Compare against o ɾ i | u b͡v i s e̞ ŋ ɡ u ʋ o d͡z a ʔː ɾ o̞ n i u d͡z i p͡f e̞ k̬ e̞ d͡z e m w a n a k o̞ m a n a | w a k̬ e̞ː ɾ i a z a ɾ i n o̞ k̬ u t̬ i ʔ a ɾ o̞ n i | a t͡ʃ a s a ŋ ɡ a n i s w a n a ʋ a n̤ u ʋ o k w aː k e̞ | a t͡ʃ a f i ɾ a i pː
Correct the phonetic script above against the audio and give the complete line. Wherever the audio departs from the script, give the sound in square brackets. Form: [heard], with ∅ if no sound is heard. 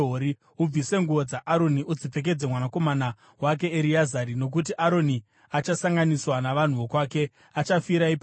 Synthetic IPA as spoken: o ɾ i | u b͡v i s e̞ ŋ ɡ u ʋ o d͡z a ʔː ɾ o̞ n i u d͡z i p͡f e̞ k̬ e̞ d͡z e m w a n a k o̞ m a n a | w a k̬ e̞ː ɾ i a z a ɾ i n o̞ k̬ u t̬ i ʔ a ɾ o̞ n i | a t͡ʃ a s a ŋ ɡ a n i s w a n a ʋ a n̤ u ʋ o k w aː k e̞ | a t͡ʃ a f i ɾ a i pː